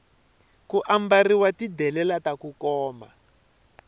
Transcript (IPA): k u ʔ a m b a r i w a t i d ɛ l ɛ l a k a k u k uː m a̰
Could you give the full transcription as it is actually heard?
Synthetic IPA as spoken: k u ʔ a m b a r i w a t i d ɛ l ɛ l a t a k u k ɔː m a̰